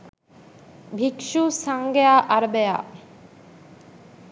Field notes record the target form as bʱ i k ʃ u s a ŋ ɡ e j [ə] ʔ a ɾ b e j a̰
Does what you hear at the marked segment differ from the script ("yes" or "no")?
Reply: yes